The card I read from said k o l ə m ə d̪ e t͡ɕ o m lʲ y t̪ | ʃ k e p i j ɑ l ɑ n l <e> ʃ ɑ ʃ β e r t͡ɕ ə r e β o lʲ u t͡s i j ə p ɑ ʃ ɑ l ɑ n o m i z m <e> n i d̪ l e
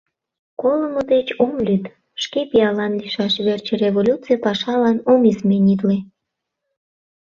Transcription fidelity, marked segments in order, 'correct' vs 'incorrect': incorrect: i, correct

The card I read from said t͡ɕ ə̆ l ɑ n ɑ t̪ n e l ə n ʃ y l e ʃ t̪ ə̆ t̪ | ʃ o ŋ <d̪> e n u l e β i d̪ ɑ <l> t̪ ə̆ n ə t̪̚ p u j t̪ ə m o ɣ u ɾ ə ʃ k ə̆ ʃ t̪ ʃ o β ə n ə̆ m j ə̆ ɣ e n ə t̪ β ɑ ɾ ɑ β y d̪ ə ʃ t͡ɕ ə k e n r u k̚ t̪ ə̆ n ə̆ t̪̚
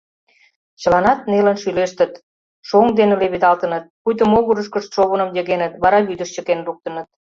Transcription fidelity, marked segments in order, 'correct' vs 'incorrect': correct, correct

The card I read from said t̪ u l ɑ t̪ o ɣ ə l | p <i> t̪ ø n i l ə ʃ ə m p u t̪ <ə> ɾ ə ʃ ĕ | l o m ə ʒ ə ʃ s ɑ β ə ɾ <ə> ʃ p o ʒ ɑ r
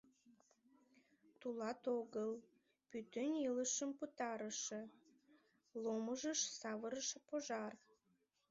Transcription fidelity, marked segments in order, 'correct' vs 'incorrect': incorrect: y, incorrect: ɑ, correct

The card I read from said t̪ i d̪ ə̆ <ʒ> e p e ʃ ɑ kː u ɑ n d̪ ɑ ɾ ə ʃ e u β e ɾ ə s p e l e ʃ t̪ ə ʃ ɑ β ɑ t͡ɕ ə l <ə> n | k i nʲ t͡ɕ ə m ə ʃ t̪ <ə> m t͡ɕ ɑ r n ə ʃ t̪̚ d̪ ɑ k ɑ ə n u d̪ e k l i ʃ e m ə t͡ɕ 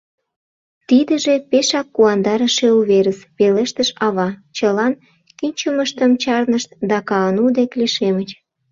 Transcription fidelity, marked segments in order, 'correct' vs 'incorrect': correct, incorrect: ɑ, correct

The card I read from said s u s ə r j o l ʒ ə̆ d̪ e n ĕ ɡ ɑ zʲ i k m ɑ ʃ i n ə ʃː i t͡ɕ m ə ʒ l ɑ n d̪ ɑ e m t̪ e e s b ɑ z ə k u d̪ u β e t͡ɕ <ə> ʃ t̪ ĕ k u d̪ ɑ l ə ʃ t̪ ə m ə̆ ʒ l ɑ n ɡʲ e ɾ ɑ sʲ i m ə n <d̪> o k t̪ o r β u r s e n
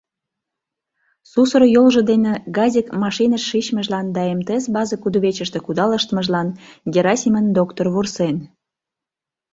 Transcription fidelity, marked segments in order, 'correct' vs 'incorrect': correct, correct

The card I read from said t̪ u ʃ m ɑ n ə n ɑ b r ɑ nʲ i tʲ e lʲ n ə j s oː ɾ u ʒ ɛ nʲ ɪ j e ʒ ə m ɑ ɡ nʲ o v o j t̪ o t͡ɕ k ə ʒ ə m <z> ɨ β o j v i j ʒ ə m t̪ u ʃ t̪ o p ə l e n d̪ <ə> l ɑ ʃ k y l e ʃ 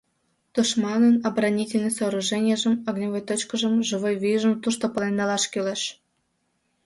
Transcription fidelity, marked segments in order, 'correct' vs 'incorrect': incorrect: ʒ, incorrect: ɑ

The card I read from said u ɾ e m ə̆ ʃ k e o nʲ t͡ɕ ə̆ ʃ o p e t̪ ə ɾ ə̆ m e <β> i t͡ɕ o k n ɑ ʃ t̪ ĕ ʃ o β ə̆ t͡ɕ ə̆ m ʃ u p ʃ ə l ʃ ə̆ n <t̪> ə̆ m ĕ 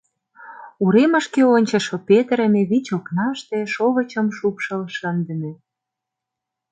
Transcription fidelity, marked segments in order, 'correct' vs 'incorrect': correct, incorrect: d̪

